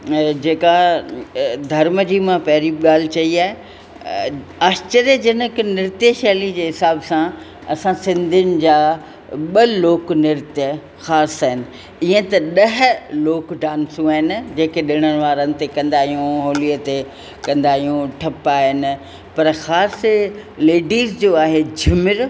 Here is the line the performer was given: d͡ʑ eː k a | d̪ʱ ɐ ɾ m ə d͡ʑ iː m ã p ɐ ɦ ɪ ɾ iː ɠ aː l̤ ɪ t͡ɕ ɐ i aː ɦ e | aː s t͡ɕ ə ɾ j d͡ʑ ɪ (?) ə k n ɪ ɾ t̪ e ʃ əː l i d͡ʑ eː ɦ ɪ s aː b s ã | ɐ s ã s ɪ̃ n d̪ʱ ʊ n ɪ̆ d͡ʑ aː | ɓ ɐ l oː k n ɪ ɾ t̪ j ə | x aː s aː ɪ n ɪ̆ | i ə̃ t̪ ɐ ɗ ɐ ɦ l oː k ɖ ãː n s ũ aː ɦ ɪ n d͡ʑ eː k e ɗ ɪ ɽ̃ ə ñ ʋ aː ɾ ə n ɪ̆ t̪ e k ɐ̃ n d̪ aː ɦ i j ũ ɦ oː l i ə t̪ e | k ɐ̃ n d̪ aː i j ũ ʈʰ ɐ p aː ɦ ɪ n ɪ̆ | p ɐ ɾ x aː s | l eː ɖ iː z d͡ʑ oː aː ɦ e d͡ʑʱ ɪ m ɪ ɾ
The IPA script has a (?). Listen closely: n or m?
n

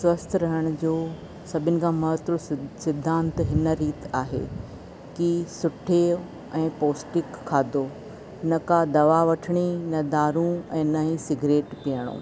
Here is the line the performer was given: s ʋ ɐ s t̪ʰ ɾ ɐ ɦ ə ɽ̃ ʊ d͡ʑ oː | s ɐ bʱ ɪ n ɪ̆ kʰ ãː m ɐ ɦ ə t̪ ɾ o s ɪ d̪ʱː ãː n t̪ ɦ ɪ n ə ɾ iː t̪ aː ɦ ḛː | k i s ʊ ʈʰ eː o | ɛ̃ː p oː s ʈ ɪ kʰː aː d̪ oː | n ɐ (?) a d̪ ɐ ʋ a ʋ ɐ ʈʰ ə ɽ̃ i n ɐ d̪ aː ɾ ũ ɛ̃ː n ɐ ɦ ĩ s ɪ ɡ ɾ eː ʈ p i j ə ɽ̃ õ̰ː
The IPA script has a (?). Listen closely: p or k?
k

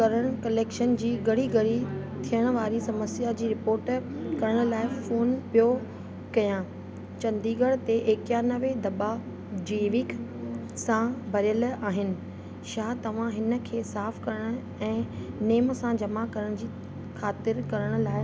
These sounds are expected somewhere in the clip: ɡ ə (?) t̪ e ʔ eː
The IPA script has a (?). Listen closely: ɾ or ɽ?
ɽ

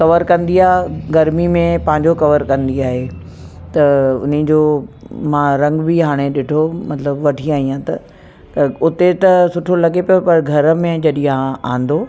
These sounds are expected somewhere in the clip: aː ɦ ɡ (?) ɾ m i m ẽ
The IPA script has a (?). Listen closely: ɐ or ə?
ɐ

